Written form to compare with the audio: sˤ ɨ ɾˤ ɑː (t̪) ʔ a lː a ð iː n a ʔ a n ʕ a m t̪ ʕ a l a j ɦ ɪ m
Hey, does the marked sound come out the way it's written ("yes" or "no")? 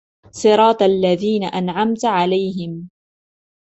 yes